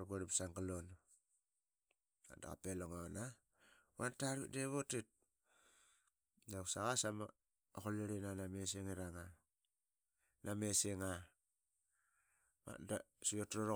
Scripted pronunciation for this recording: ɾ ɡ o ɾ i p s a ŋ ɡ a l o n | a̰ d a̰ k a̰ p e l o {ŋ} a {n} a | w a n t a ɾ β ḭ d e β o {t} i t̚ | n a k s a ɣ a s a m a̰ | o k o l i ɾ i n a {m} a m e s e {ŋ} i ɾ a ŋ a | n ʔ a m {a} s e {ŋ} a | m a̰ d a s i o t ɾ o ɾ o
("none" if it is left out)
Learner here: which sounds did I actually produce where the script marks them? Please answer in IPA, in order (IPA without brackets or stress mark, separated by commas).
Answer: ŋ, n, t, n, ŋ, e, ŋ